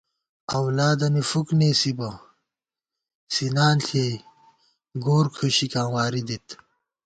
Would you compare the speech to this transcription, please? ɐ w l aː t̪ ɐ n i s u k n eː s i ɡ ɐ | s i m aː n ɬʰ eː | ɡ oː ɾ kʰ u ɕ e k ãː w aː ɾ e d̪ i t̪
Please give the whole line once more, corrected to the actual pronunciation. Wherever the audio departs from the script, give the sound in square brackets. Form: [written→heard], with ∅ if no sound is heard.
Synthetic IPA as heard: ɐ w l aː [t̪→d̪] ɐ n i [s→f] u k n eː s i [ɡ→b] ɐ | s i [m→n] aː n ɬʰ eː | ɡ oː ɾ kʰ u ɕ [e→i] k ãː w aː ɾ [e→i] d̪ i t̪